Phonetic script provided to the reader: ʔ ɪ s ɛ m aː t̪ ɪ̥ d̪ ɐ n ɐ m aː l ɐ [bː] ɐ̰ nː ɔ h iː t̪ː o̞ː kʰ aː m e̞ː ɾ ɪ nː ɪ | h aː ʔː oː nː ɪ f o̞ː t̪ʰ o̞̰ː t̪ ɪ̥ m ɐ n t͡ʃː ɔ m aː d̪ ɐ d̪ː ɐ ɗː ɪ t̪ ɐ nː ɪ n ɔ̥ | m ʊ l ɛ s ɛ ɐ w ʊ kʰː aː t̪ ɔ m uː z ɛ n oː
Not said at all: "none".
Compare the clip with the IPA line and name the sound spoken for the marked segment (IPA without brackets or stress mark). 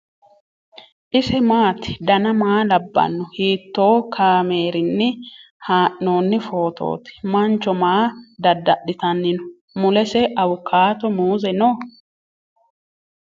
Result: bː